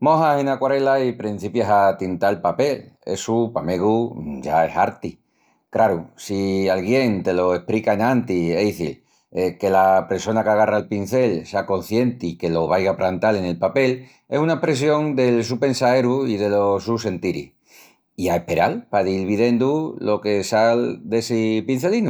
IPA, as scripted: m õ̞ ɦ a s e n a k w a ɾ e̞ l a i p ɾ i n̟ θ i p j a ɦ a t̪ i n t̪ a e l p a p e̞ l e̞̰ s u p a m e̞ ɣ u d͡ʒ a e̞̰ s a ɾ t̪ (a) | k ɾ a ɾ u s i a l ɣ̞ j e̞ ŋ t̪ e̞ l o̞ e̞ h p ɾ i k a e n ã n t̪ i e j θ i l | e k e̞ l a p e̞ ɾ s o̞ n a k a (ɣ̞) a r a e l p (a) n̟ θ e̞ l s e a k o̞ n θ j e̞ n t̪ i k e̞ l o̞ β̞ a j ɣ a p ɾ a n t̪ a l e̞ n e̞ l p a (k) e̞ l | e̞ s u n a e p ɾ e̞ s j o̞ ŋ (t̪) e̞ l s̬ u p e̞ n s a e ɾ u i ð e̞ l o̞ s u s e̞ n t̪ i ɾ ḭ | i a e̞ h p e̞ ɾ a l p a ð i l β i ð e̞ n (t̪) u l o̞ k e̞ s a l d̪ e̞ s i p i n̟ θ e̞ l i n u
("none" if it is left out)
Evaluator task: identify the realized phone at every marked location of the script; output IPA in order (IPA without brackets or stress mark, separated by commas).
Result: i, ɣ̞, i, p, d̪, d̪